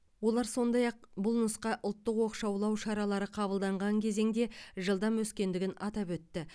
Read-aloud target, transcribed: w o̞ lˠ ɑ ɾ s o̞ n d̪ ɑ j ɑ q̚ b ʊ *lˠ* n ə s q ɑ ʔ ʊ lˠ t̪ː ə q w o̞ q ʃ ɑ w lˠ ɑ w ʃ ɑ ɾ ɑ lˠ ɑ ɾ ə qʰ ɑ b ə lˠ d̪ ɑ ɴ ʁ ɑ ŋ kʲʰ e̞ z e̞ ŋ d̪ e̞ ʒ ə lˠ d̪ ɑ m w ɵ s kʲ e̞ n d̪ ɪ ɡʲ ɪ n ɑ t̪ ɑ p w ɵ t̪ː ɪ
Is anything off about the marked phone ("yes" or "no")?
no